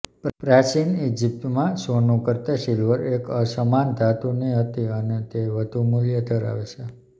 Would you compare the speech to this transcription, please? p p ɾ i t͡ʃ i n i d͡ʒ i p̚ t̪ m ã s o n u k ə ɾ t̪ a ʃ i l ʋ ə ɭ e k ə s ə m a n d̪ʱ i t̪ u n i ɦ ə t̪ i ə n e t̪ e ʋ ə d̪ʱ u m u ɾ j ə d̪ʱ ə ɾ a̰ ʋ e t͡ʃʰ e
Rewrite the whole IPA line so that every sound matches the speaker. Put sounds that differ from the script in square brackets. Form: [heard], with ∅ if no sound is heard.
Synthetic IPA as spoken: p p ɾ [a] t͡ʃ i n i d͡ʒ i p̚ t̪ m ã s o n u k ə ɾ t̪ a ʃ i l ʋ ə [ɾ] e k ə s ə m a n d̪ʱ [a] t̪ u n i ɦ ə t̪ i ə n e t̪ e ʋ ə d̪ʱ u m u [l] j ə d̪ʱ ə ɾ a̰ ʋ e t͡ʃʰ e